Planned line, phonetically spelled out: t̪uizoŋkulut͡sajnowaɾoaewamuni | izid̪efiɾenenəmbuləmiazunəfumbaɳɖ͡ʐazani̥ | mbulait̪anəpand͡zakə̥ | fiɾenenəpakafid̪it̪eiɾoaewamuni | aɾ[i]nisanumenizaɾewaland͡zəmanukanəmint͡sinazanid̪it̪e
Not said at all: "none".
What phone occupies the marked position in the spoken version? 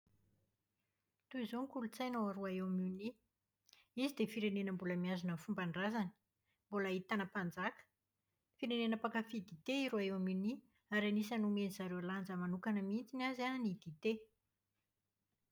a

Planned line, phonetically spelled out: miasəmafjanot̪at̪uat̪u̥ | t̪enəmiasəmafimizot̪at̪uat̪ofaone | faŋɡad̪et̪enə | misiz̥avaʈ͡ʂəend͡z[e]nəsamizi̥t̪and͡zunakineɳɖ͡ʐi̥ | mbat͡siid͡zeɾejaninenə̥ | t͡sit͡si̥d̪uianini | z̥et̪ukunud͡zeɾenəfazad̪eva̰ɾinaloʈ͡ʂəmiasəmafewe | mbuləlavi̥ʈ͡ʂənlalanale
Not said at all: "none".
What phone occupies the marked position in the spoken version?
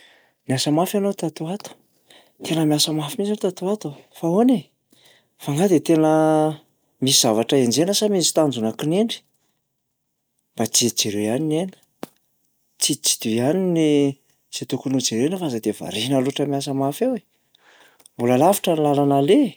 e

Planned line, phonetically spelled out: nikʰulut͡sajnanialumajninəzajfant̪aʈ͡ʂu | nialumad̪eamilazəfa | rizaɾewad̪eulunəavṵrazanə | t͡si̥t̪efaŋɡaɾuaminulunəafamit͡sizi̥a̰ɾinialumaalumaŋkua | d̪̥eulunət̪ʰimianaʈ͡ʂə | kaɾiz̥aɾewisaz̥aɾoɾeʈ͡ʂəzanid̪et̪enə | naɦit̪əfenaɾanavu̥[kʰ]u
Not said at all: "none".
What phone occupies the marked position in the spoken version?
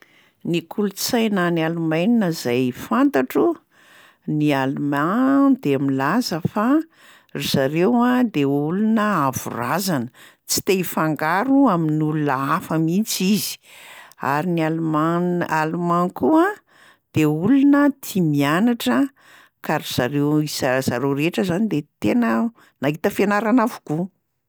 k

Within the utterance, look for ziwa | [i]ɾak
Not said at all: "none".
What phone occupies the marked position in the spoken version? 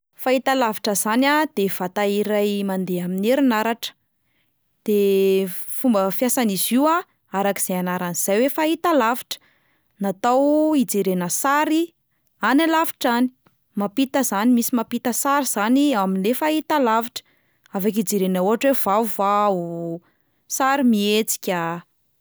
a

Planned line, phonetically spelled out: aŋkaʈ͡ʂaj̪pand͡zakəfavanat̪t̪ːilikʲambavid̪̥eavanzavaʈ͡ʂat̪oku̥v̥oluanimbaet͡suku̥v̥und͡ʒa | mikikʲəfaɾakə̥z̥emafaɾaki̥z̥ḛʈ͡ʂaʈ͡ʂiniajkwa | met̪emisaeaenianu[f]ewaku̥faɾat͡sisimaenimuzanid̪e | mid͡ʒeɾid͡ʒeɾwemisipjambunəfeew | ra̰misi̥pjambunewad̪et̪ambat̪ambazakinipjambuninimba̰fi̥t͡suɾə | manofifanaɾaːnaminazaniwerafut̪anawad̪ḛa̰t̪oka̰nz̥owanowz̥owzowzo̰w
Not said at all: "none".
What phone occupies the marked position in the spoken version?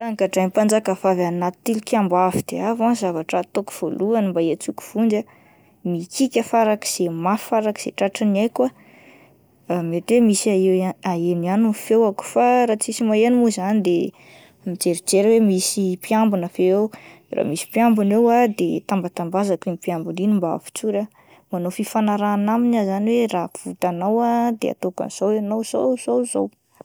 f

